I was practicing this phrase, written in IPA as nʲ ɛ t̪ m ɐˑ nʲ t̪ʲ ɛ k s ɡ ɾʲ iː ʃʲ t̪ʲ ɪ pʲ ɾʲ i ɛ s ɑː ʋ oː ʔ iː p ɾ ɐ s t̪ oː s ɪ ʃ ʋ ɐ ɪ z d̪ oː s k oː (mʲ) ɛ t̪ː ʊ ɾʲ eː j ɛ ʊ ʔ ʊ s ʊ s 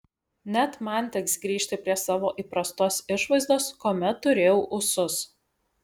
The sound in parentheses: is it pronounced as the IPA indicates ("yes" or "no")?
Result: yes